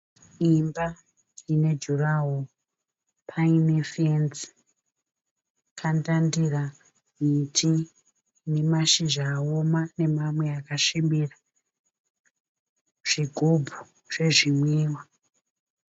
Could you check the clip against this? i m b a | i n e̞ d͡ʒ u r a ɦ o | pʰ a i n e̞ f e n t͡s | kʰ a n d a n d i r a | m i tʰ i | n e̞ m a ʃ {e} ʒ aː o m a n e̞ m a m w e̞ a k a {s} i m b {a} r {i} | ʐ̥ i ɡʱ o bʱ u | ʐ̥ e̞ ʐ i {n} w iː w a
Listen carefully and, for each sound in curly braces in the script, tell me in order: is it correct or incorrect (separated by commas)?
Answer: incorrect, incorrect, incorrect, incorrect, incorrect